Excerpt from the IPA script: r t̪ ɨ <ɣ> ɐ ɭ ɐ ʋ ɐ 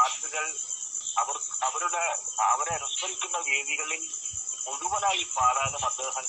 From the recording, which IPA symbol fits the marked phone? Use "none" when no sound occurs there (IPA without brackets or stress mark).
ɣ